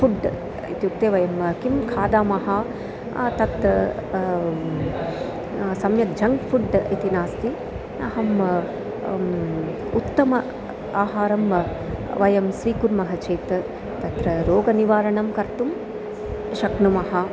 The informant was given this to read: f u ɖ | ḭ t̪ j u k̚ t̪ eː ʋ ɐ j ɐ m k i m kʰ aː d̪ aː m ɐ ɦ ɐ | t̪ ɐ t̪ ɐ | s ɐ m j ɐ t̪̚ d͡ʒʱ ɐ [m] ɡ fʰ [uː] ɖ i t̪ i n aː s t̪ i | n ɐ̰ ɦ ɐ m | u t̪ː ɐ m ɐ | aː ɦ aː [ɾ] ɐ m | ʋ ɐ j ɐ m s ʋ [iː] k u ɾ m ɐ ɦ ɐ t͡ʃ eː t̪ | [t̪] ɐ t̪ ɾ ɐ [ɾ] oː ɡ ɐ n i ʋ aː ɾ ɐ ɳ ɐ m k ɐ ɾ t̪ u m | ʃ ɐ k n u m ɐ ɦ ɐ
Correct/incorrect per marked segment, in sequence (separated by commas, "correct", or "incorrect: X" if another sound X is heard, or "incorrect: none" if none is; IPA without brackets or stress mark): incorrect: ŋ, incorrect: u, correct, correct, correct, correct